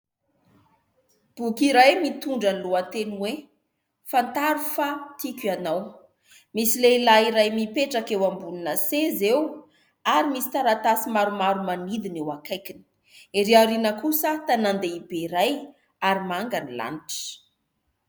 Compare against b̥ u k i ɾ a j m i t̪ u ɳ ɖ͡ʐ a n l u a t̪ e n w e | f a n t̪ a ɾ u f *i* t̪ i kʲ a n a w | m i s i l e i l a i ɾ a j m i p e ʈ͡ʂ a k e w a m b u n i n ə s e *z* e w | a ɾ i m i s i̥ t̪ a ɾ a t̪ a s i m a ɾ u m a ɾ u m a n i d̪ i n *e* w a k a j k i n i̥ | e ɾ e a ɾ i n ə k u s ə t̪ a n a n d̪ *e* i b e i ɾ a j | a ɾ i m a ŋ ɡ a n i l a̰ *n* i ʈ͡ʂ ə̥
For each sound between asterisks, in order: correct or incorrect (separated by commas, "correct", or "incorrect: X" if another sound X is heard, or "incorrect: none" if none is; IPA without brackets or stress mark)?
incorrect: a, correct, correct, correct, correct